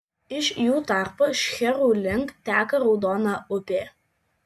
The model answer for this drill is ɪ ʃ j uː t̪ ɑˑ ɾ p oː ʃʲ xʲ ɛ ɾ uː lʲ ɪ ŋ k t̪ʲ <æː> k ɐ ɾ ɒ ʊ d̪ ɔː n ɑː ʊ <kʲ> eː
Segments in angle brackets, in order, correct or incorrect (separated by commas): correct, incorrect